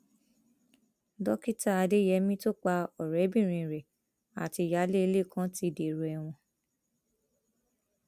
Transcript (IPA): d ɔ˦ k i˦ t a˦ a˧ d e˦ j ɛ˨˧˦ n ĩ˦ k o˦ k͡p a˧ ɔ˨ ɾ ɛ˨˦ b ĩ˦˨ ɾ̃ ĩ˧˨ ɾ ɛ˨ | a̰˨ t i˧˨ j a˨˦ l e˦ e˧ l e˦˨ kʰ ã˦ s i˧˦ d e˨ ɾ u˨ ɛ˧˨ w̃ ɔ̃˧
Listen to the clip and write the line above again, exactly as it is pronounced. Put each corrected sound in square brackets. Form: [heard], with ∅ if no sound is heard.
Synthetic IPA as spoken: d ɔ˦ k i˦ t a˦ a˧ d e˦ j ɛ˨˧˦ [m] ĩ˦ [t] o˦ k͡p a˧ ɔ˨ ɾ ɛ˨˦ b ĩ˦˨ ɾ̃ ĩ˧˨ ɾ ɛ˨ | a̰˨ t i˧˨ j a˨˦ l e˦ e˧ l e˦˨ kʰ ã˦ [t] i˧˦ d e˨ ɾ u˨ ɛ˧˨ w̃ ɔ̃˧

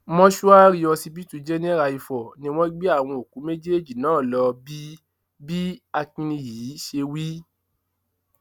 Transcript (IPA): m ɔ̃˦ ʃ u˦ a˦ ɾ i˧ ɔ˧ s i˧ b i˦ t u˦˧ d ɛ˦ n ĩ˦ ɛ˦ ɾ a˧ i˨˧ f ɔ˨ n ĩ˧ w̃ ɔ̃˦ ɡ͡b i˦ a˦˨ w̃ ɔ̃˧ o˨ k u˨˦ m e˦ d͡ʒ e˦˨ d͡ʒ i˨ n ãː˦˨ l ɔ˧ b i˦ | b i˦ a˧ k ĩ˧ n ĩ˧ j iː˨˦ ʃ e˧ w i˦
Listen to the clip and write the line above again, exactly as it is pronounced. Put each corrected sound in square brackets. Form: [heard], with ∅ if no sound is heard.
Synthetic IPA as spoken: m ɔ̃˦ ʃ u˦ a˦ ɾ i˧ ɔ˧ s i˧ b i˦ t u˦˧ [d͡ʒ] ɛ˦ n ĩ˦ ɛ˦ ɾ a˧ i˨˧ f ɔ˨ n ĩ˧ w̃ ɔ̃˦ ɡ͡b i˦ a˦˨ w̃ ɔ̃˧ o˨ k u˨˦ m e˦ d͡ʒ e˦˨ d͡ʒ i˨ n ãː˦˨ l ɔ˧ b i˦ | b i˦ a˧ k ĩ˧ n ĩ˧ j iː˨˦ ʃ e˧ w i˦

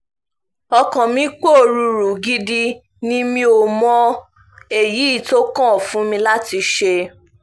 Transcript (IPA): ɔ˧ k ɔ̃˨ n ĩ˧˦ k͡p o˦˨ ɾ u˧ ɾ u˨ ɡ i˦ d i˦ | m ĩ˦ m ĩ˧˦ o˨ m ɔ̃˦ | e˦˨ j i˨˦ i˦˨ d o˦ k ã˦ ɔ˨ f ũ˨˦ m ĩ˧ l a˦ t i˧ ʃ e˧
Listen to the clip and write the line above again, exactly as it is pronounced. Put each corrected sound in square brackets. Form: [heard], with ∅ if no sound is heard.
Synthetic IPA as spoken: ɔ˧ k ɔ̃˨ [m] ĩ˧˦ k͡p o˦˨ ɾ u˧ ɾ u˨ ɡ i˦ d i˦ | [n] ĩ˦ m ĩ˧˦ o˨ m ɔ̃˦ | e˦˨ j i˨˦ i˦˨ [t] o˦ k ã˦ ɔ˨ f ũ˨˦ m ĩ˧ l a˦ t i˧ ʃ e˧

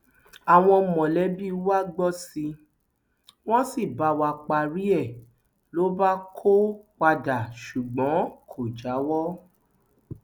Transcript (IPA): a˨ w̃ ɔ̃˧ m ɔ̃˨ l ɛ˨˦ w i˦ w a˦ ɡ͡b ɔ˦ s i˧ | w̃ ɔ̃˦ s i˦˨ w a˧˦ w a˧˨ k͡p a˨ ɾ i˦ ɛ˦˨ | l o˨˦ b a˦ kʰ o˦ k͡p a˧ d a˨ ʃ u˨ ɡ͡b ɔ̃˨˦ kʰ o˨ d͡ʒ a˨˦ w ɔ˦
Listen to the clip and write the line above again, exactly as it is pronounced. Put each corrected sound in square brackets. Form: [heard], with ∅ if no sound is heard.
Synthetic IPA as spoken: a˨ w̃ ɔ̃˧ m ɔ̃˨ l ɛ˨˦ [b] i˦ w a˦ ɡ͡b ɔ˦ s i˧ | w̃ ɔ̃˦ s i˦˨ [b] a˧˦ w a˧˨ k͡p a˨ ɾ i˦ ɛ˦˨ | l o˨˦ b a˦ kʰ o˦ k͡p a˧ d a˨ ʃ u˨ ɡ͡b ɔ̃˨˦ kʰ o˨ d͡ʒ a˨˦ w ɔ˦

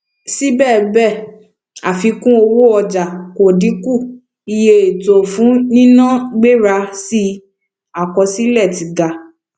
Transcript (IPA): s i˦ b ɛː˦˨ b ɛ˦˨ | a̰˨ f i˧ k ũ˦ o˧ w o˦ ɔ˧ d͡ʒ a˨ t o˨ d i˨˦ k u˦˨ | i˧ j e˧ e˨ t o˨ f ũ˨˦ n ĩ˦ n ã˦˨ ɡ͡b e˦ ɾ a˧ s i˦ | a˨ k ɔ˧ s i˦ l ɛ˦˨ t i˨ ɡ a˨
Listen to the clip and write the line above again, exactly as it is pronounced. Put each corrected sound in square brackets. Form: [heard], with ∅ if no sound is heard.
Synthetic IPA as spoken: s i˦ b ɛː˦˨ b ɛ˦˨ | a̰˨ f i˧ k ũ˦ o˧ w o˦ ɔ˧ d͡ʒ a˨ [k] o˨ d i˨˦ k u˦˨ | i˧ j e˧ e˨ t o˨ f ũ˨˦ n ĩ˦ n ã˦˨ ɡ͡b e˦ ɾ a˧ s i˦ | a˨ k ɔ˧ s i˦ l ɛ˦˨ t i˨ ɡ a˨

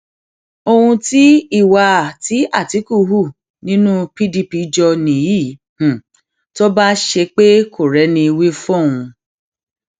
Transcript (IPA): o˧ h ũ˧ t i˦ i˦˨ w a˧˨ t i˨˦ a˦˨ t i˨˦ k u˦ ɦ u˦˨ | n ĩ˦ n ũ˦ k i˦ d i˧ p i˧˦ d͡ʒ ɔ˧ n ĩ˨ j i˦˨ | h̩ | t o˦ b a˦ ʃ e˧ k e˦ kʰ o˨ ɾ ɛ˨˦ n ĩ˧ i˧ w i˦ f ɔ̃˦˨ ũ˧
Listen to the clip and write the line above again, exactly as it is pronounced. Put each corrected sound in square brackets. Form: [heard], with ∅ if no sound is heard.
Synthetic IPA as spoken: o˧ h ũ˧ t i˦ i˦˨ w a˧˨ t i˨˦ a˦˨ t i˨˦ k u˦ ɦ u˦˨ | n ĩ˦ n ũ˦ [p] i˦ d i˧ p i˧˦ d͡ʒ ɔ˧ n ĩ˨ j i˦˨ | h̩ | t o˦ b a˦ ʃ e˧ [k͡p] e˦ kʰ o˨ ɾ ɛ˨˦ n ĩ˧ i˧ w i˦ f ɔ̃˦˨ ũ˧

